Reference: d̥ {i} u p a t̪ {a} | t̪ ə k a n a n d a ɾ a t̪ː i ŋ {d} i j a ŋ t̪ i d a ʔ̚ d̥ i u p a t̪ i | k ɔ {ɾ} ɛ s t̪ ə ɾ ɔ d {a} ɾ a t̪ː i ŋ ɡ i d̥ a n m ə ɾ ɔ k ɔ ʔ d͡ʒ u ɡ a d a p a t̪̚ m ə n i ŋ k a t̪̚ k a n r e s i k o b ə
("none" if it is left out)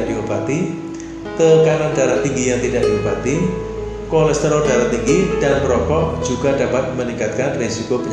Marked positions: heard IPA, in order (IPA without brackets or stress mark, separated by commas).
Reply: i, i, ɡ, l, a